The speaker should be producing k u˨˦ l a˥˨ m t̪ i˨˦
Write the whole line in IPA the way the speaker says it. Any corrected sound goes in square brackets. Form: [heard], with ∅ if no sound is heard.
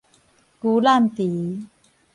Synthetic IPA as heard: k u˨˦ l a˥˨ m t̪ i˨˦

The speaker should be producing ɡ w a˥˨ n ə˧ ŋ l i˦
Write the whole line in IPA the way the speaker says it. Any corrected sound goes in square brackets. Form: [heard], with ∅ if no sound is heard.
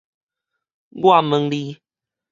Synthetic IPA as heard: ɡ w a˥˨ [m] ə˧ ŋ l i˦

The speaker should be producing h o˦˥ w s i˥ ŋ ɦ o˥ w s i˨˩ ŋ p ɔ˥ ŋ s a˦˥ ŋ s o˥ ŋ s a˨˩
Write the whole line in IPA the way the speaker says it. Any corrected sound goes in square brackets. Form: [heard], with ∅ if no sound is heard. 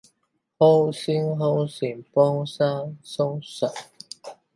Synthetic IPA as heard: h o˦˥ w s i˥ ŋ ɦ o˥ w s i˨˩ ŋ p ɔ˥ ŋ s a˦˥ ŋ s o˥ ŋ s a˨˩

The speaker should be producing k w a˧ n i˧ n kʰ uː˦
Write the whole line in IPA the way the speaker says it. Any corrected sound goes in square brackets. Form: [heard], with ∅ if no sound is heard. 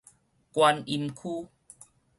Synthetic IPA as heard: k w a˧ n i˧ [m] kʰ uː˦

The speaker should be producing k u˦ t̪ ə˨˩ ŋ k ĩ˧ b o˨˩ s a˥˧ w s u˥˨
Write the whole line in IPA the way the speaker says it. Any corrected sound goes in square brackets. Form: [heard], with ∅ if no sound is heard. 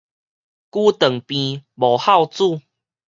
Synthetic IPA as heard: k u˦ t̪ ə˨˩ ŋ [p] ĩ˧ b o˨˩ [h] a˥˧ w [t͡s] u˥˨

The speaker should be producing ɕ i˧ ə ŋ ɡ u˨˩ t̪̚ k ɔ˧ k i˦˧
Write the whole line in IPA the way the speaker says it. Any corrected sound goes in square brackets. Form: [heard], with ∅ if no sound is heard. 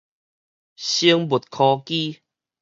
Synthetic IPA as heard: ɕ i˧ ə ŋ [b] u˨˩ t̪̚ [kʰ] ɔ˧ k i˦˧

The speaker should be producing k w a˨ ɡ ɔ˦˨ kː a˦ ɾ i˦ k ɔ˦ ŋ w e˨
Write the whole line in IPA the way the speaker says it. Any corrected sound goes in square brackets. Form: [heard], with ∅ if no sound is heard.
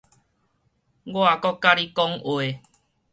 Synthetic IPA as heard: [ɡ] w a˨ [k] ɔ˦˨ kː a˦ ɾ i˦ k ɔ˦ ŋ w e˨

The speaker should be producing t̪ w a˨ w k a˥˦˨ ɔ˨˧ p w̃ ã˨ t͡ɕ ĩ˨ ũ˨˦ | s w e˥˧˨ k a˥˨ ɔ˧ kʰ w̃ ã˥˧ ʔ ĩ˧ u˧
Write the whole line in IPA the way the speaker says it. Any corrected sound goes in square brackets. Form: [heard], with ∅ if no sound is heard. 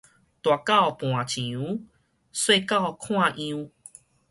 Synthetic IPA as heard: t̪ w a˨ [∅] k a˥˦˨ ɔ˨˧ p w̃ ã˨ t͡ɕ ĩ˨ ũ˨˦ | s w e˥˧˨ k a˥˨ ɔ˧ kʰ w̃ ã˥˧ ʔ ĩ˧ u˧

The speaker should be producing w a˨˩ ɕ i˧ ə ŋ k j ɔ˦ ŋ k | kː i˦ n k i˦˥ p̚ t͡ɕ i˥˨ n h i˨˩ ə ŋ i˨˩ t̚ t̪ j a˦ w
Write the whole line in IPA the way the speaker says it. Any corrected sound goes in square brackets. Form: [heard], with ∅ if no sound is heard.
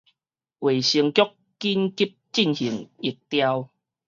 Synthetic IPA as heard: w [e˨˩] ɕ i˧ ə ŋ k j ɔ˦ [∅] k | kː i˦ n k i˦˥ p̚ t͡ɕ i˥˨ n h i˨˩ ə ŋ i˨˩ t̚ t̪ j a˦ w

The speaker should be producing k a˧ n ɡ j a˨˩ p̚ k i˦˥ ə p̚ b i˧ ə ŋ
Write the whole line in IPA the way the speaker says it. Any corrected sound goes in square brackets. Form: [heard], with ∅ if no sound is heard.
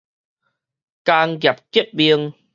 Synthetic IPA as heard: k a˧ [ŋ] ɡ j a˨˩ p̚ k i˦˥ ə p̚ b i˧ ə ŋ

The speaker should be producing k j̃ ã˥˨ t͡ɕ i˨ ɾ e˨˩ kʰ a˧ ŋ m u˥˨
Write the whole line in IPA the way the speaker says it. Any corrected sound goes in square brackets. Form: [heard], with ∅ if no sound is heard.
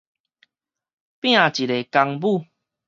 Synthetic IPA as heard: [p] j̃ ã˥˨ t͡ɕ i˨ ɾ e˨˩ [k] a˧ ŋ [b] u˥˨

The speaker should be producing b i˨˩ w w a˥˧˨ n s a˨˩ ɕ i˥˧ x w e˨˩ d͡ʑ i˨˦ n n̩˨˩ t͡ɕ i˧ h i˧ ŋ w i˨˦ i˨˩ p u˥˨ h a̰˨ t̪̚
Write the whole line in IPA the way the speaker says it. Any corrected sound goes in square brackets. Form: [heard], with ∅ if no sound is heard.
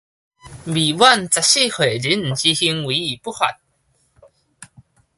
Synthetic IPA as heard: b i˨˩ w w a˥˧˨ n [t͡s] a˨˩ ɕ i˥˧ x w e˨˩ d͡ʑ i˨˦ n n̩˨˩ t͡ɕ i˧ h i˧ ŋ w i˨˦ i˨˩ p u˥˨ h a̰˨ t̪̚

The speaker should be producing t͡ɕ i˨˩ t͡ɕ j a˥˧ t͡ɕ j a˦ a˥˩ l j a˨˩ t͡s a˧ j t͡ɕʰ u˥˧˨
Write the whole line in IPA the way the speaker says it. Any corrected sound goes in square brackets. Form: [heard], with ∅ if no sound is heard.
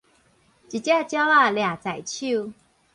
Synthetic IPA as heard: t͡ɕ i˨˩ t͡ɕ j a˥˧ t͡ɕ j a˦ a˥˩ l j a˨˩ t͡s [a˨˩] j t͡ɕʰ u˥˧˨

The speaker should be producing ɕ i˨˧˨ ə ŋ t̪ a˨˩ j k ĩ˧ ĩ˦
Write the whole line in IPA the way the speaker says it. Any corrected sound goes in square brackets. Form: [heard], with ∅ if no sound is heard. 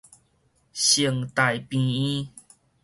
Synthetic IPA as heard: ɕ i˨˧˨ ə ŋ t̪ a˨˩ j [p] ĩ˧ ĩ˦

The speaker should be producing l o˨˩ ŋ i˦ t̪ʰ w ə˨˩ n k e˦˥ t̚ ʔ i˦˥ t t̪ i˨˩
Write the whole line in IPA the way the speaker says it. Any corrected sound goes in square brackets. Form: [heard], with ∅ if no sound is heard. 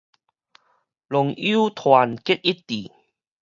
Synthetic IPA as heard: l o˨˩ ŋ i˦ t̪ʰ w [a˨˩] n k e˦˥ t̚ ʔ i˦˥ t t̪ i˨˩

